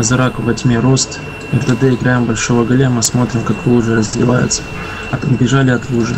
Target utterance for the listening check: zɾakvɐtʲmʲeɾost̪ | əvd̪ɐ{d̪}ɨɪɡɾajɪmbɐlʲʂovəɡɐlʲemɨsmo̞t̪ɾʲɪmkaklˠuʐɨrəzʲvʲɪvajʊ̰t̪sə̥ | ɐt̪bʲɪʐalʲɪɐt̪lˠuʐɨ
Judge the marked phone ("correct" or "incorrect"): correct